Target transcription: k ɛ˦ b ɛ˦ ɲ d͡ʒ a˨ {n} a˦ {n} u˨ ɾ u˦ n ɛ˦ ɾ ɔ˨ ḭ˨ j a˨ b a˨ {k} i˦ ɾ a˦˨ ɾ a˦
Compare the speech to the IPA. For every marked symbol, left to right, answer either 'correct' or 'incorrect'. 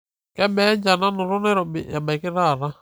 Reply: correct, correct, correct

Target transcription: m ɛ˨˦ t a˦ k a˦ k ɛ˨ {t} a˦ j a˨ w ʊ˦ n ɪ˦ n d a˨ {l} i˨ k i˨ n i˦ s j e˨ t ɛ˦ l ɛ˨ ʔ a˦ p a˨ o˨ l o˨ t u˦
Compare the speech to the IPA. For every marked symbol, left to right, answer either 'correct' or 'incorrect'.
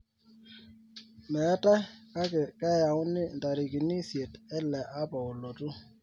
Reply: incorrect, incorrect

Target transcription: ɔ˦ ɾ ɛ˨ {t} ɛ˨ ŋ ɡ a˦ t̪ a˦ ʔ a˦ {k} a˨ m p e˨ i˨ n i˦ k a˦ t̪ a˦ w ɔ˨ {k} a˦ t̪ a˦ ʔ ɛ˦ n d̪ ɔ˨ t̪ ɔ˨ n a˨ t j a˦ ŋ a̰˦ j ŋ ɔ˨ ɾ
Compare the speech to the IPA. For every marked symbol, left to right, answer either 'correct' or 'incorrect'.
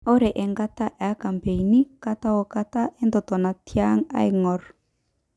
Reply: incorrect, correct, correct

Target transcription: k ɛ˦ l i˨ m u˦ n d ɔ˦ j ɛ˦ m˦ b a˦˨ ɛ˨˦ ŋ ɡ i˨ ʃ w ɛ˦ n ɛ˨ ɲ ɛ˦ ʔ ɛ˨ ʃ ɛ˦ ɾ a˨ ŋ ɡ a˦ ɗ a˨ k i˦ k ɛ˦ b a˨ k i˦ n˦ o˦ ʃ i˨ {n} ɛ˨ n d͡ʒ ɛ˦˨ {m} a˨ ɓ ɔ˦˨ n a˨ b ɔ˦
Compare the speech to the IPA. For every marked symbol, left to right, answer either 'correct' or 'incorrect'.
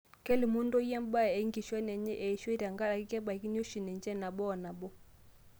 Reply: correct, incorrect

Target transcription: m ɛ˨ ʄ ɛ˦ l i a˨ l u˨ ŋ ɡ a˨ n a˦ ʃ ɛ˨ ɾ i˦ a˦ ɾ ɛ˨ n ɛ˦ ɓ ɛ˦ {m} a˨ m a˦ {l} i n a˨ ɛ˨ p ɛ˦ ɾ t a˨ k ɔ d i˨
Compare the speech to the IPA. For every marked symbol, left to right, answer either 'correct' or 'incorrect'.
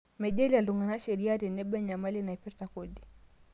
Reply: incorrect, correct

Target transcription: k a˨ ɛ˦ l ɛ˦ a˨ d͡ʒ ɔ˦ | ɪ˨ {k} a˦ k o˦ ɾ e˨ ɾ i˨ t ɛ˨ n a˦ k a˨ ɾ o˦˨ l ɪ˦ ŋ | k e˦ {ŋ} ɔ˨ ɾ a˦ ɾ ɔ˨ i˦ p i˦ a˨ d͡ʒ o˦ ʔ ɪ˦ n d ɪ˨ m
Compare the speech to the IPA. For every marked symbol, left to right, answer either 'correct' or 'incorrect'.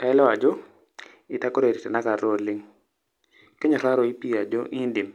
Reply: incorrect, incorrect

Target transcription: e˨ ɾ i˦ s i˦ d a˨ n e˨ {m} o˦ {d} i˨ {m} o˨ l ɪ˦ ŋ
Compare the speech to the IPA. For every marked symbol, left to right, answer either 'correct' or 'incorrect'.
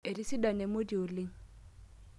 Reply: correct, correct, incorrect

